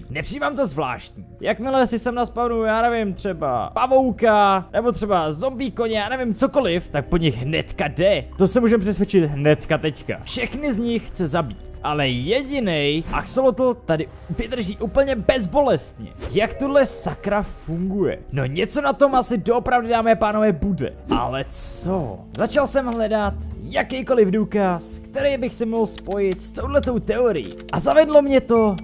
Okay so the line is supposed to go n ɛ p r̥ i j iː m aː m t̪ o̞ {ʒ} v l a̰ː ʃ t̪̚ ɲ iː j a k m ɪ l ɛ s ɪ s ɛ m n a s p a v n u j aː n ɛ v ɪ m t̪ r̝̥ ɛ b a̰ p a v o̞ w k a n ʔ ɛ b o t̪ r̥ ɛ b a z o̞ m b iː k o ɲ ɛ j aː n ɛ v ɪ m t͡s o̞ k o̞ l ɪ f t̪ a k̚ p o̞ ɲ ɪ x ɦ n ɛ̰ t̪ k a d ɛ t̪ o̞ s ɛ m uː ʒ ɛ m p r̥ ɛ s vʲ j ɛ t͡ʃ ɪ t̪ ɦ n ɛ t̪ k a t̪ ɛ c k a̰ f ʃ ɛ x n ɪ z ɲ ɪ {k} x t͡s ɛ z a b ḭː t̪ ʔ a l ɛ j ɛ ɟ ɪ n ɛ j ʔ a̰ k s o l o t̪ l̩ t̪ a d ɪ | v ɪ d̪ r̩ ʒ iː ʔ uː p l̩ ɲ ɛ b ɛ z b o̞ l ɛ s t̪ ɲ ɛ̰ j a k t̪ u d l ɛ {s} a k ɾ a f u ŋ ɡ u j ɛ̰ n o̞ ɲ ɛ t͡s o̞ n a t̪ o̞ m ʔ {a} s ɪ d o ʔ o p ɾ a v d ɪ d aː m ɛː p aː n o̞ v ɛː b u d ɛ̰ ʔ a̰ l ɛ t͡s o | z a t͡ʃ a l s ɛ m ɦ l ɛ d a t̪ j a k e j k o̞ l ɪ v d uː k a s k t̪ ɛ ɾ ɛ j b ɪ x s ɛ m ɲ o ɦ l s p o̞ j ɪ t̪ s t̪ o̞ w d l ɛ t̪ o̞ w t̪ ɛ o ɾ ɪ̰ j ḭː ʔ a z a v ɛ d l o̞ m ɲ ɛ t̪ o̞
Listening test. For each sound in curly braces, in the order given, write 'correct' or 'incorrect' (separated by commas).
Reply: incorrect, incorrect, correct, correct